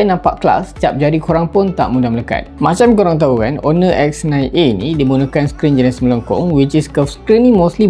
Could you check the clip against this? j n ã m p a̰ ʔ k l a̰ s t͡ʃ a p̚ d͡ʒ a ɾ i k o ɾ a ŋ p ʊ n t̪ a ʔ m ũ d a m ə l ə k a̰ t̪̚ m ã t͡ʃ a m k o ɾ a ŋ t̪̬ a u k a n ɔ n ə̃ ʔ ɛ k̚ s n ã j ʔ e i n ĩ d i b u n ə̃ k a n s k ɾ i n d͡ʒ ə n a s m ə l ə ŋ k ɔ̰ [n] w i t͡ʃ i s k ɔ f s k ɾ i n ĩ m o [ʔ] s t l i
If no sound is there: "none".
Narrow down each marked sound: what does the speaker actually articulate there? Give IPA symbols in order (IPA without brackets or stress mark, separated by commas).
ŋ, none